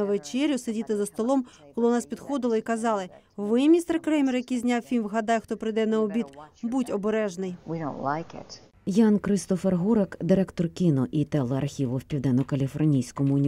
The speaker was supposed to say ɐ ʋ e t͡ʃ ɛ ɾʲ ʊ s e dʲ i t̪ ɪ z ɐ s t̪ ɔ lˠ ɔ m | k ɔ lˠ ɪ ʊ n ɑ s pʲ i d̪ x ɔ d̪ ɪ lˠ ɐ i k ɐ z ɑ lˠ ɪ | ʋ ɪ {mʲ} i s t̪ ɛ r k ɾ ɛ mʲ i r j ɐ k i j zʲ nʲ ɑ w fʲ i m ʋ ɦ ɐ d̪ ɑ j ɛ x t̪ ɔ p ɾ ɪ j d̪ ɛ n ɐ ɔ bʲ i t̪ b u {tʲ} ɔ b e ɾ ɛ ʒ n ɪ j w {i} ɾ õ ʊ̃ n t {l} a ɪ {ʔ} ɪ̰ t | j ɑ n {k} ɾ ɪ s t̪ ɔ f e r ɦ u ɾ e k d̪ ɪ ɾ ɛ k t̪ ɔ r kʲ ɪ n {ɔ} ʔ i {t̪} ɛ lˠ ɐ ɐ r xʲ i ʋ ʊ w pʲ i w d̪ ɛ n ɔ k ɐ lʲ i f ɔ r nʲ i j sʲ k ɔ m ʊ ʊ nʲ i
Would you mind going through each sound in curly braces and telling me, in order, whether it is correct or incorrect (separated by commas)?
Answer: correct, correct, correct, correct, incorrect, correct, correct, correct